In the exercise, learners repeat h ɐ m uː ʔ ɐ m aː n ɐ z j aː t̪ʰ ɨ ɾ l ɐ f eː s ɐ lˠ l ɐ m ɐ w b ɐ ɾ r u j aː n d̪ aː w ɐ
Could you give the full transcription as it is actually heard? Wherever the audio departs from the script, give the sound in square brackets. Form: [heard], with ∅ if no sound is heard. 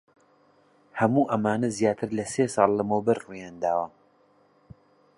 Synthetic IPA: h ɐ m uː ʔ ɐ m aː n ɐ z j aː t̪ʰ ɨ ɾ l ɐ [s] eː s [ɑ] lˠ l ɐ m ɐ w b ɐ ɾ r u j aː n d̪ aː w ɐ

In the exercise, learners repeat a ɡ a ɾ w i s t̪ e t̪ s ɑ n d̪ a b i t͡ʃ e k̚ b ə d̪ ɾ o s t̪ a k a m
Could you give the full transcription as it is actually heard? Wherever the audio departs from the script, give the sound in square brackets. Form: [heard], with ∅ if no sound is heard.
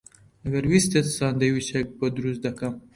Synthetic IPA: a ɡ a ɾ w i s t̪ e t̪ s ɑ n d̪ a [w] i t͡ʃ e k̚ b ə d̪ ɾ [u] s [d̪] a k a m

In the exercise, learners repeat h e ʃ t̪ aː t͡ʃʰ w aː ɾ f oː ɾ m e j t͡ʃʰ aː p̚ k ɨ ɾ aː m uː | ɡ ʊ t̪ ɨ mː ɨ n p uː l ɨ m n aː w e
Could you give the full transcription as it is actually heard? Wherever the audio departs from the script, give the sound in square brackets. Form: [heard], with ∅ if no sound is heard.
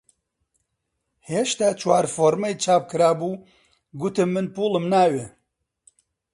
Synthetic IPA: h e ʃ t̪ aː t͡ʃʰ w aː ɾ f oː ɾ m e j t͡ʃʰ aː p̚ k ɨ ɾ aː [b] uː | ɡ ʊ t̪ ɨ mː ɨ n p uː l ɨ m n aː w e

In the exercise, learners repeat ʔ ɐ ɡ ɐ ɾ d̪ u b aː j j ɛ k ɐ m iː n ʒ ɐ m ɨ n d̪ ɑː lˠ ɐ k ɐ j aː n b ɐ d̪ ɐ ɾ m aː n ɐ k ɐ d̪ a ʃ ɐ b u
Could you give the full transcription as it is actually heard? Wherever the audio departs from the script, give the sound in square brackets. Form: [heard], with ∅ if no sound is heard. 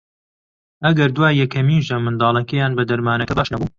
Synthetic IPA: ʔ ɐ ɡ ɐ ɾ d̪ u [w] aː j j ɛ k ɐ m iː n ʒ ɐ m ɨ n d̪ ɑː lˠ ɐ k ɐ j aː n b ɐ d̪ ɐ ɾ m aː n ɐ k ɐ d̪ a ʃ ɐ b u

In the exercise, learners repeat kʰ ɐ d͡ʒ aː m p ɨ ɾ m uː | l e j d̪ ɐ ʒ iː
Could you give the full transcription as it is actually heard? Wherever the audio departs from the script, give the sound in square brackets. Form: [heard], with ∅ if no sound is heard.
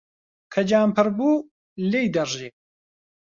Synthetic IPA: kʰ ɐ d͡ʒ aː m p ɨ ɾ [b] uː | l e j d̪ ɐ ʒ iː

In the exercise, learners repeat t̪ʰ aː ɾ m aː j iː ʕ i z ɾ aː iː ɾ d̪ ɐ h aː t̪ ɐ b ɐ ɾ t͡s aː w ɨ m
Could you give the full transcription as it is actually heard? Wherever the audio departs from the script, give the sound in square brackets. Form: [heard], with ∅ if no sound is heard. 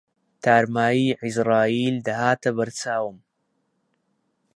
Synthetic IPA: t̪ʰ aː ɾ m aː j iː ʕ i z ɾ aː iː [l] d̪ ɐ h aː t̪ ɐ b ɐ ɾ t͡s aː w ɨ m

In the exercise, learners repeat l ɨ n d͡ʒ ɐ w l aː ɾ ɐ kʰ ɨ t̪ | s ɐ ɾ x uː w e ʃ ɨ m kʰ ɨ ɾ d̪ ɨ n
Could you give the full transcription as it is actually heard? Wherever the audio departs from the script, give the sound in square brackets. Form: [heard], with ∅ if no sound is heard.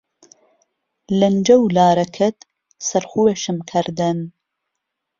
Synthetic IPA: l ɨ n d͡ʒ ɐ w l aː ɾ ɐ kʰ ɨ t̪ | s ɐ ɾ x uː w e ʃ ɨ m kʰ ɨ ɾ d̪ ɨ n

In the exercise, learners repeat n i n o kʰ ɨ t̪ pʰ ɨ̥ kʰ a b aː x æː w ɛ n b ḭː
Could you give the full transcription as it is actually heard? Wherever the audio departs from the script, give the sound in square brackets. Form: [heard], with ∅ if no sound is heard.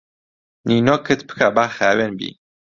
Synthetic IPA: n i n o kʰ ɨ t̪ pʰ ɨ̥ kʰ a b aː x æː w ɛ n b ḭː

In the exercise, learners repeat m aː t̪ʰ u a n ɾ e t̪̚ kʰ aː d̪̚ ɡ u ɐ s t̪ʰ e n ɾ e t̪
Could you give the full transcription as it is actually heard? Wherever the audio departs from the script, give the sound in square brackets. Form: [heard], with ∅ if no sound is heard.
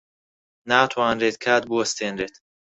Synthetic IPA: [n] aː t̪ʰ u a n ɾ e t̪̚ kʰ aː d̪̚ [b] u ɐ s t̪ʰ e n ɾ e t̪

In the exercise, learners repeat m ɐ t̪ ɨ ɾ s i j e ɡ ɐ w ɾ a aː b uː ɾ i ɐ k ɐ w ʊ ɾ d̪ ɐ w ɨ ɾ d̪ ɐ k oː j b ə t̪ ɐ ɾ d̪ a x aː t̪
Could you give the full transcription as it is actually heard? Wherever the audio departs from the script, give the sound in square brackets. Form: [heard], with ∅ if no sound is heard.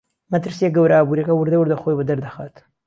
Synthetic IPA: m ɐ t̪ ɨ ɾ s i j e ɡ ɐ w ɾ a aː b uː ɾ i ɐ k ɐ w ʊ ɾ d̪ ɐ w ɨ ɾ d̪ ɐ [x] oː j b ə [d̪] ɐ ɾ d̪ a x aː t̪

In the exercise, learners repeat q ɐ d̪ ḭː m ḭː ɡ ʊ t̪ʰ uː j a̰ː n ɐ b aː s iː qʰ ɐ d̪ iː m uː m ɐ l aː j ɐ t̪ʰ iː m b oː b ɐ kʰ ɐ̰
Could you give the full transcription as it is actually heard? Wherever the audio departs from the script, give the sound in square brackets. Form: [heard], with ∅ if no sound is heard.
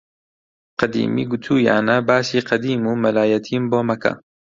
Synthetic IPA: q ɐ d̪ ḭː m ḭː ɡ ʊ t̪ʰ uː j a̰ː n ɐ b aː s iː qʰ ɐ d̪ iː m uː m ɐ l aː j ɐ t̪ʰ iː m b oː [m] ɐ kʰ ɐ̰

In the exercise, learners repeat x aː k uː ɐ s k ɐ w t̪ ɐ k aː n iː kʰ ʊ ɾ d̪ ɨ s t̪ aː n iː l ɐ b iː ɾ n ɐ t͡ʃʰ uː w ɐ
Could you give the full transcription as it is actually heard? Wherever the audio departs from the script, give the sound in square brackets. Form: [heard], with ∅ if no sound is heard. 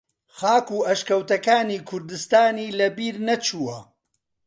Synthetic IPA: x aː k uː ɐ [ʃ] k ɐ w t̪ ɐ k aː n iː kʰ ʊ ɾ d̪ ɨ s t̪ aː n iː l ɐ b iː ɾ n ɐ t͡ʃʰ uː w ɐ

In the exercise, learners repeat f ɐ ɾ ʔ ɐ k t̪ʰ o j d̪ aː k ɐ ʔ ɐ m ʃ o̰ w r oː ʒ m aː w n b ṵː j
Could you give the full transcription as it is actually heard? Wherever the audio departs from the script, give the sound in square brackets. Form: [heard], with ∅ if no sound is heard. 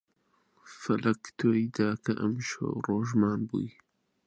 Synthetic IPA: f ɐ [l] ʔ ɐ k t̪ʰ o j d̪ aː k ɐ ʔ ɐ m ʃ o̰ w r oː ʒ m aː [∅] n b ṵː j

